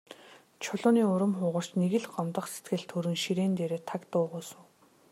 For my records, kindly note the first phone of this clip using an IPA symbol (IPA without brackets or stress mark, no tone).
t͡ɕʰ